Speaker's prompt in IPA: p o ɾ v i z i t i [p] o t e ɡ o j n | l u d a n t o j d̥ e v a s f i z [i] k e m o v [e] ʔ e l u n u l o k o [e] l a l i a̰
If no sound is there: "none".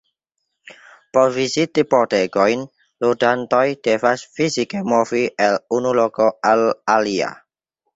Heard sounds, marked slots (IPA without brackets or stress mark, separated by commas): p, i, i, a